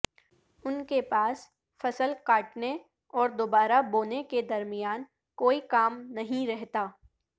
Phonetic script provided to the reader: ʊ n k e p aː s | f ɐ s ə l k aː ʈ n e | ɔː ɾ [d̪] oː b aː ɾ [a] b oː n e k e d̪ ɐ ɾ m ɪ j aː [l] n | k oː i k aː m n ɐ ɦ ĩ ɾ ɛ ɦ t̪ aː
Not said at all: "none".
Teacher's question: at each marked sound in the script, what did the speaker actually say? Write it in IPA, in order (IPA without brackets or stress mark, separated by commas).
d̪, a, none